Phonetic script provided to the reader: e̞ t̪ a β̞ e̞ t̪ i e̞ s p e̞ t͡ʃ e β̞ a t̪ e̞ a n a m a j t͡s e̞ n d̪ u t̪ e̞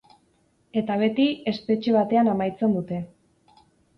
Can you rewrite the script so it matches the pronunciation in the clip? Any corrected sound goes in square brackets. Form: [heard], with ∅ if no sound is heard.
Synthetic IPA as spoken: e̞ t̪ a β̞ e̞ t̪ i e̞ s p e̞ t͡ʃ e β̞ a t̪ e̞ a n a m a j t͡s e̞ n d̪ u t̪ e̞